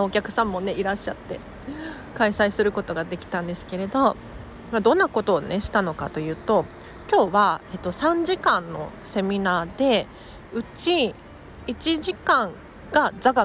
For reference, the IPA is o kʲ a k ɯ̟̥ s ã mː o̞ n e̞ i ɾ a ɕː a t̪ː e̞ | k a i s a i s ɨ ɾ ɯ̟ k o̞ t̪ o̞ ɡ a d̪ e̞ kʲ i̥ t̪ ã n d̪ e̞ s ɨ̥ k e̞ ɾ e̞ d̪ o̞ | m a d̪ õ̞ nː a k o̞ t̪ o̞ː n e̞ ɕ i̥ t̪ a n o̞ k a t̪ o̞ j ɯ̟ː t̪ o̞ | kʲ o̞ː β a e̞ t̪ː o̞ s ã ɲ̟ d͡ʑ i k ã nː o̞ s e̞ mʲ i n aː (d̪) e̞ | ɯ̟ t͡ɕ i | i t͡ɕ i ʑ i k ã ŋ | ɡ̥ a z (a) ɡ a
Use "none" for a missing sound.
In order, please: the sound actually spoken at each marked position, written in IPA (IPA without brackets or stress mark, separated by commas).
d̪, a